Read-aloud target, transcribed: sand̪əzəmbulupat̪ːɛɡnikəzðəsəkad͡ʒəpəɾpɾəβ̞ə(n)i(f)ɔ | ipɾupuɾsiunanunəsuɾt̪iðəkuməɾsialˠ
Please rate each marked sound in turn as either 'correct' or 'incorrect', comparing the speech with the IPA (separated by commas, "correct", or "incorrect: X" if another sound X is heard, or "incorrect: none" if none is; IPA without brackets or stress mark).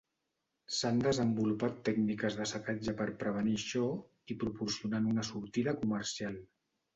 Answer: correct, incorrect: ʃ